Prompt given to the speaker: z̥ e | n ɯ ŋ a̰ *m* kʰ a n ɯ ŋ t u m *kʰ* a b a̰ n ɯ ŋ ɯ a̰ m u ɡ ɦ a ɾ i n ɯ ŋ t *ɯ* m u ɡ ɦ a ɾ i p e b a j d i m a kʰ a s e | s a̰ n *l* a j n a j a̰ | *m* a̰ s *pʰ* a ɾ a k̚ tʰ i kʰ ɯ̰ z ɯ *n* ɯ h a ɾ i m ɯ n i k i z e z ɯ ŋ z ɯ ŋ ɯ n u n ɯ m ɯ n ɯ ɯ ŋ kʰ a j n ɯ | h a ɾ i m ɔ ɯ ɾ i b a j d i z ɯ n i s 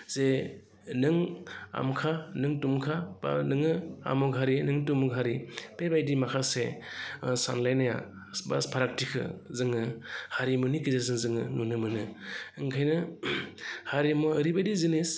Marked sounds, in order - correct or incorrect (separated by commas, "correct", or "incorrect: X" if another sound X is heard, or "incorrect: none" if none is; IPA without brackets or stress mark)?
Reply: correct, correct, incorrect: u, correct, incorrect: b, correct, incorrect: ŋ